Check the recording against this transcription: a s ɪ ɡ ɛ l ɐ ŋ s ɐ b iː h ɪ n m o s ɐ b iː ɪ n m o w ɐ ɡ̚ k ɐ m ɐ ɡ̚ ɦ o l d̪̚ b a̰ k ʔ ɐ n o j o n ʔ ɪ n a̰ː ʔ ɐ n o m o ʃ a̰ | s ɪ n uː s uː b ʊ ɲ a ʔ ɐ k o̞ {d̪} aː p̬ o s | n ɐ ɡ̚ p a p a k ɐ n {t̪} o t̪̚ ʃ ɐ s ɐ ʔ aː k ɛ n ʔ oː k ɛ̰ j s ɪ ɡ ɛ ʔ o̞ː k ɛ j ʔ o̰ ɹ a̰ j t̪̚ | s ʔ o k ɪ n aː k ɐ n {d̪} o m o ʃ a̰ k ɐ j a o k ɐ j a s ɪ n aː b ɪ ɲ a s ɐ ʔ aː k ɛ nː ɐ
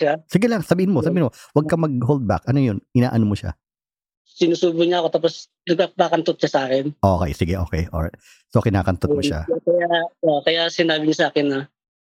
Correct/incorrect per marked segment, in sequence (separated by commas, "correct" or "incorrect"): incorrect, correct, incorrect